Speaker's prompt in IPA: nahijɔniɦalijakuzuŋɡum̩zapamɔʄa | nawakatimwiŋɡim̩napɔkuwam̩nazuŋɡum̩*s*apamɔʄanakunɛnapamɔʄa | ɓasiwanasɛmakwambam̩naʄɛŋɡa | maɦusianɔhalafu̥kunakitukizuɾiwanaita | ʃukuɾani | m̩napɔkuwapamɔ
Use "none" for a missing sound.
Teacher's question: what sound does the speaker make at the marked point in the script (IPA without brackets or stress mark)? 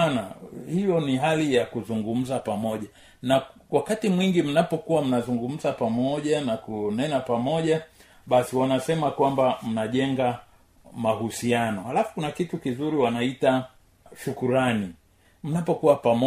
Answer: z